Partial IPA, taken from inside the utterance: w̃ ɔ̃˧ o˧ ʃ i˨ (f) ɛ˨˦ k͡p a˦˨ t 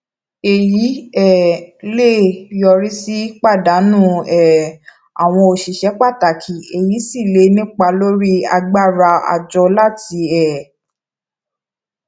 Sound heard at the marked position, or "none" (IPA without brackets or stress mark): ʃ